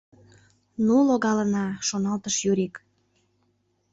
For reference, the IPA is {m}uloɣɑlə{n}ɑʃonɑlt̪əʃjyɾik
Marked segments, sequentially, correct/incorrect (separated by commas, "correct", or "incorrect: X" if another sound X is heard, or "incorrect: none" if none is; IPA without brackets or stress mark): incorrect: n, correct